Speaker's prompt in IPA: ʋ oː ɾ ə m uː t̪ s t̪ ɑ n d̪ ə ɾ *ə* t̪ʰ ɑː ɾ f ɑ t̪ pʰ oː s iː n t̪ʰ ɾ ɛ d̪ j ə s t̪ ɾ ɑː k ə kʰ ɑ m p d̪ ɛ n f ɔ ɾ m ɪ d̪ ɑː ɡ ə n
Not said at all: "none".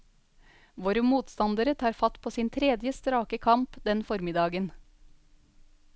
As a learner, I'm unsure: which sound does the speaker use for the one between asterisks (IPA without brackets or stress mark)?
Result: ə